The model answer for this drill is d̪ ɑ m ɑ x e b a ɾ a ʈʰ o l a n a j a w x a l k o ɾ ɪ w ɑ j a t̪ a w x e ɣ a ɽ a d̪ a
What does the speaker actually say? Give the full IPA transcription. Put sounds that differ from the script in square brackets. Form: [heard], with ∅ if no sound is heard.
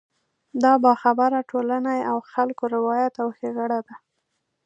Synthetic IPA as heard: d̪ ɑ [b] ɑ x [a] b a ɾ a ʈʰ o l a n a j a w x a l k o ɾ ɪ w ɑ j a t̪ a w x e ɣ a ɽ a d̪ a